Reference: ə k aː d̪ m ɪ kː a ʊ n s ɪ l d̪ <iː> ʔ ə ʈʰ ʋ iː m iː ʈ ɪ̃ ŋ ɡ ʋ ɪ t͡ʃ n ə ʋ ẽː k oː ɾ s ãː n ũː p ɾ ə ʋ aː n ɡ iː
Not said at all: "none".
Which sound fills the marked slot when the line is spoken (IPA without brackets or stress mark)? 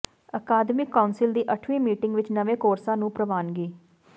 iː